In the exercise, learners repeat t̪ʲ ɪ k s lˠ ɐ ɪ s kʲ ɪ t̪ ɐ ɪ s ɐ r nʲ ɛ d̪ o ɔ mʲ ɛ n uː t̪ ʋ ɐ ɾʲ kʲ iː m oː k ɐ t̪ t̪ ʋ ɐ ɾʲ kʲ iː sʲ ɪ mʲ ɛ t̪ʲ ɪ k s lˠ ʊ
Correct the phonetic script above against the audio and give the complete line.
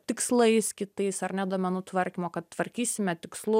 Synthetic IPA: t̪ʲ ɪ k s lˠ ɐ ɪ s kʲ ɪ t̪ ɐ ɪ s ɐ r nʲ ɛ d̪ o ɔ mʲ ɛ n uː t̪ ʋ ɐ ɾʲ kʲ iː m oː k ɐ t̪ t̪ ʋ ɐ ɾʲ kʲ iː sʲ ɪ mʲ ɛ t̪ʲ ɪ k s lˠ ʊ